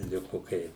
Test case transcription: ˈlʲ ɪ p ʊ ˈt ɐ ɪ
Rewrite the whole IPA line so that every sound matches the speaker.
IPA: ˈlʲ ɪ k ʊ ˈk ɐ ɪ